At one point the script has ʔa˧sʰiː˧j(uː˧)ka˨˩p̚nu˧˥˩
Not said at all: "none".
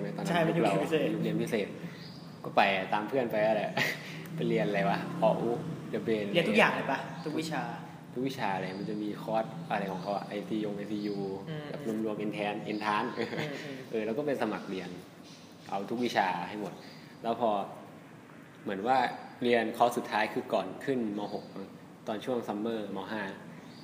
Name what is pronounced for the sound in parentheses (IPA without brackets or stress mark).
uː˧